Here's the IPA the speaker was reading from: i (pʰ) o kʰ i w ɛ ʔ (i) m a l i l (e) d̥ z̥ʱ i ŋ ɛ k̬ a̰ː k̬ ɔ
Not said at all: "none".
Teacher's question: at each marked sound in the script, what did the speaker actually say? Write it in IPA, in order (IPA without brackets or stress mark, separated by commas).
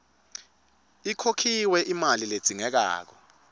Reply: kʰ, i, e